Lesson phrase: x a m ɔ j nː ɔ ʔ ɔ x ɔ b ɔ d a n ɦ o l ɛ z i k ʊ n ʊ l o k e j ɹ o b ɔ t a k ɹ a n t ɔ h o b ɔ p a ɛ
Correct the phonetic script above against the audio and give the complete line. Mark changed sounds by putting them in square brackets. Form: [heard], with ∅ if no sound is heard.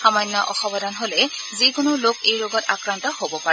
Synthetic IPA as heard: x a m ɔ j nː ɔ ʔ ɔ x ɔ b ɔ d a n ɦ o l ɛ z i k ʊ n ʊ l o k e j ɹ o [ɡ] ɔ t a k ɹ a n t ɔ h o b ɔ p a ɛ